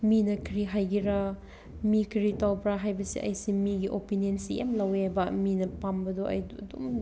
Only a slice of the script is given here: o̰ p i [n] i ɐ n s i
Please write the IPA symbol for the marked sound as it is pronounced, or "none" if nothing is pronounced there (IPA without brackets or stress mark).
n